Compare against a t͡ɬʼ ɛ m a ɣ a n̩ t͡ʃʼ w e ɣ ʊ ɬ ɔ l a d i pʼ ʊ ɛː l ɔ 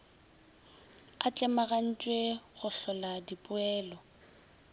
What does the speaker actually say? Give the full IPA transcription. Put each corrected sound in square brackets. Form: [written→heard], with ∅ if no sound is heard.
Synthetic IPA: a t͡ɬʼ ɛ m a ɣ a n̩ t͡ʃʼ w e ɣ ʊ ɬ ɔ l a d i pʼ ʊ ɛː l ɔ